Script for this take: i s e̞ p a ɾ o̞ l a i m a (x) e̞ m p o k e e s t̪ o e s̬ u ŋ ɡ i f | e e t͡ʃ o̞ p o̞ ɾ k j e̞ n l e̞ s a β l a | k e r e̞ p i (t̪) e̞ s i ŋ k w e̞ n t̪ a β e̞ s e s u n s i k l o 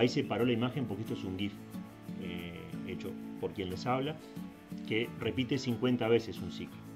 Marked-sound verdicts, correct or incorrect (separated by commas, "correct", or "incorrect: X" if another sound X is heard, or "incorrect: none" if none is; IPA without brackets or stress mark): correct, correct